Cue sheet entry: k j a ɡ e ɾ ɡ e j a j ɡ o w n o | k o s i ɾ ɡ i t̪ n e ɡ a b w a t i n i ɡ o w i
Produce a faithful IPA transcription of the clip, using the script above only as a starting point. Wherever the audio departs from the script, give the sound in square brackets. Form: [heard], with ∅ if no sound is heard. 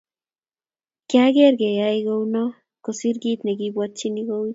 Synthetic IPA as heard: k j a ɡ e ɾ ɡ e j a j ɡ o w n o | k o s i ɾ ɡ i t̪ n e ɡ [i] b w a [t͡ʃ] i n i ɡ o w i

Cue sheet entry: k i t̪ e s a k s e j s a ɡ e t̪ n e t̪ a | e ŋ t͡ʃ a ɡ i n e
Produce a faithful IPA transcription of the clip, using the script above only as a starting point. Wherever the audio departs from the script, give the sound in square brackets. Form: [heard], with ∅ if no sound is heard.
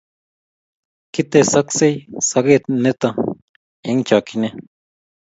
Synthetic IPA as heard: k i t̪ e s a k s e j s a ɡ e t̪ n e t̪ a | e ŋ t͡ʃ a [k] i n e

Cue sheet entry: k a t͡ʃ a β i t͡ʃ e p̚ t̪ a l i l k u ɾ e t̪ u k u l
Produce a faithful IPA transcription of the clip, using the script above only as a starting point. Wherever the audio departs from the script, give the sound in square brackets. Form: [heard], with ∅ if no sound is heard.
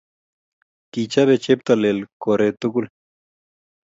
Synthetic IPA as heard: k [i] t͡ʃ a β [e] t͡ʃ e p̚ t̪ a l [e] l k [o] ɾ e t̪ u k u l

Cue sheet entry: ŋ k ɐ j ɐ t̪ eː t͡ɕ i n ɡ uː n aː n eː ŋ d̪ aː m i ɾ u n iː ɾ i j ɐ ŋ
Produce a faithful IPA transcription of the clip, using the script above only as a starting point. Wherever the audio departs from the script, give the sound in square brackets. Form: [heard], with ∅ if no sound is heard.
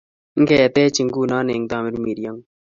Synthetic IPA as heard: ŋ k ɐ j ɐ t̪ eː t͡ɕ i [ŋ] ɡ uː n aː n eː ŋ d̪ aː m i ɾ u [m] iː ɾ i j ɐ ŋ

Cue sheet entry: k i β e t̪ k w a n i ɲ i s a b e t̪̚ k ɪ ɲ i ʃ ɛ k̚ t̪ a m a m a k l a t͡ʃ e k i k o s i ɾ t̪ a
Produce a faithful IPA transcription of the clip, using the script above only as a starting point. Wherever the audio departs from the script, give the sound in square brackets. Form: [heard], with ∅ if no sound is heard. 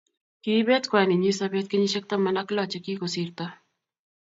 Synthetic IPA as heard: k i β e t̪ k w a n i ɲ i s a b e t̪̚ k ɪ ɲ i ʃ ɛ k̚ t̪ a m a [n] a k l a t͡ʃ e k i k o s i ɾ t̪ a

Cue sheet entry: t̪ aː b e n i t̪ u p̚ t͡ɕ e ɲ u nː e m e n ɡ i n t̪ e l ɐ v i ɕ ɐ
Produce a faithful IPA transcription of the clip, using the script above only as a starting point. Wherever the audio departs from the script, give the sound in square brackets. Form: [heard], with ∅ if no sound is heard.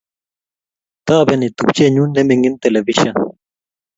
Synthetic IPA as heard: t̪ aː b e n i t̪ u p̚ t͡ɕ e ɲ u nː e m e [ŋ] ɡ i n t̪ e l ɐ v i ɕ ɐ

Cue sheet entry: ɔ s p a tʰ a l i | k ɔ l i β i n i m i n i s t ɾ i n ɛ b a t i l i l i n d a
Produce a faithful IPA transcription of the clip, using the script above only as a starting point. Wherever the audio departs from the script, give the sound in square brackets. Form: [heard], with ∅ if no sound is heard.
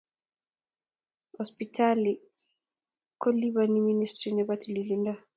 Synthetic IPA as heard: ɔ s p [i] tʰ a l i | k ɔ l i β [a] n i m i n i s t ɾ i n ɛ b a t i l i l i n d a

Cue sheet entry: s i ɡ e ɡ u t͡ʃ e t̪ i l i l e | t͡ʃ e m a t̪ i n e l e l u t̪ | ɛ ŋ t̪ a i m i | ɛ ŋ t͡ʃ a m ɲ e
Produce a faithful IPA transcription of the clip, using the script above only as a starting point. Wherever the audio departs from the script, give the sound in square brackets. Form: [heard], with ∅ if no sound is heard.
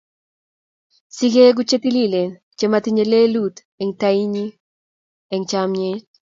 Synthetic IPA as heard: s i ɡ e ɡ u t͡ʃ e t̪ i l i l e | t͡ʃ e m a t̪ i [ɲ] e l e l u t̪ | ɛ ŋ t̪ a i [ɲ] i | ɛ ŋ t͡ʃ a m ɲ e

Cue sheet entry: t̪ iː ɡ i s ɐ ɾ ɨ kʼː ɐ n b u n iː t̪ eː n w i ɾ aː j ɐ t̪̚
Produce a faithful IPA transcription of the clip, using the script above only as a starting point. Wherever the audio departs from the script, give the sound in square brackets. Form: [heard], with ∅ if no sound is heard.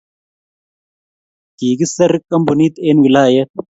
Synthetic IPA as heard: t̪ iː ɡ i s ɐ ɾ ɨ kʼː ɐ [m] b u n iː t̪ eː n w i [l] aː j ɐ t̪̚

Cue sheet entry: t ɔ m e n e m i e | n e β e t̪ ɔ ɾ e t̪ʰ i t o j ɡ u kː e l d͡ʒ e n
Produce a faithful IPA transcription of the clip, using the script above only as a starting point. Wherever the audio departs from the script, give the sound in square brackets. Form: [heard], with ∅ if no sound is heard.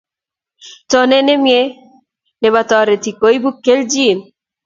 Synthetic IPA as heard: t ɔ [n] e n e m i e | n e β [a] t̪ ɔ ɾ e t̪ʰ i [k] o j [b] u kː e l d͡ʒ [i] n

